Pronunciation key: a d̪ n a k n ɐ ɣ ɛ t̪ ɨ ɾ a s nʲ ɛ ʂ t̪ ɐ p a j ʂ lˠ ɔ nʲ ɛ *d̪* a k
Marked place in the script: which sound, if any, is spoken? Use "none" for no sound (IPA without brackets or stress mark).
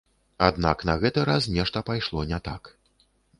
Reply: t̪